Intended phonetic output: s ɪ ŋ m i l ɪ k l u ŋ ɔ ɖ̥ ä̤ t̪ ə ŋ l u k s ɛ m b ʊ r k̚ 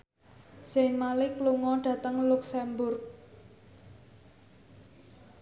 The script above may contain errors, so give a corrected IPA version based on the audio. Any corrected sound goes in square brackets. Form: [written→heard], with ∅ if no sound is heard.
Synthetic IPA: s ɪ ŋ m [i→a] l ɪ k l u ŋ ɔ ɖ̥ ä̤ t̪ ə ŋ l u k s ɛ m b ʊ r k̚